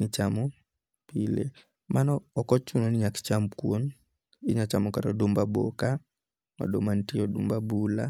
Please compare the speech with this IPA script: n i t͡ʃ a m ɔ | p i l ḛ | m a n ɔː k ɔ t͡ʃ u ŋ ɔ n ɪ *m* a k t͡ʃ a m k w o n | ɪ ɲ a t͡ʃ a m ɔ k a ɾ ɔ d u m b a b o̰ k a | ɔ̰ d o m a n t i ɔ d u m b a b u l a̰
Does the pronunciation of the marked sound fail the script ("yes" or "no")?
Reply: yes